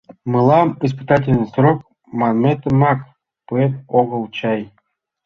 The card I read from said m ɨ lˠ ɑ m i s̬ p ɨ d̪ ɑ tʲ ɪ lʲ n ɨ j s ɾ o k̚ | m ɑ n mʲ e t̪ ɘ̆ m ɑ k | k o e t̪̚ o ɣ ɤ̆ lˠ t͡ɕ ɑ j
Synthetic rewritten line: m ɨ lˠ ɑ m i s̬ p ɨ t̪ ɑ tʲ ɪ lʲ n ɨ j s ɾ o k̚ | m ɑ n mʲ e t̪ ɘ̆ m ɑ k | p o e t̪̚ o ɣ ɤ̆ lˠ t͡ɕ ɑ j